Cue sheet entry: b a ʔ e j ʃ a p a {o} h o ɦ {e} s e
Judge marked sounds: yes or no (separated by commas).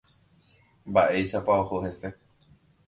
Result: yes, yes